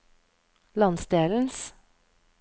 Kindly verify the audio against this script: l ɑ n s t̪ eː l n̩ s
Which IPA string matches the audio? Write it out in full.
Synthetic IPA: l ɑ n s d̪ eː l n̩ s